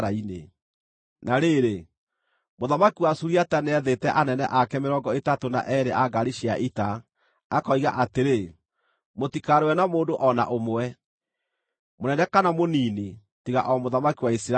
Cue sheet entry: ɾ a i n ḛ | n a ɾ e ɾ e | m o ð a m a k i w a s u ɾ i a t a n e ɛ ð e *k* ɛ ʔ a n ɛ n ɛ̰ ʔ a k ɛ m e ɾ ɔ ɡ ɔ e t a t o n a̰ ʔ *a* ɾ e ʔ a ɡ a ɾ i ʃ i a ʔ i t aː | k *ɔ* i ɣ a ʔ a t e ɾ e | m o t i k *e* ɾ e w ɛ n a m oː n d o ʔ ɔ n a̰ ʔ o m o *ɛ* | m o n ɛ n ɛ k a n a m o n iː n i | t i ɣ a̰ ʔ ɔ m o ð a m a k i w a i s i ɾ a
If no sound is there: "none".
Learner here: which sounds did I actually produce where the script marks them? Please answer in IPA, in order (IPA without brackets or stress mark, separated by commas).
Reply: t, ɛ, ɔ, a, ɛ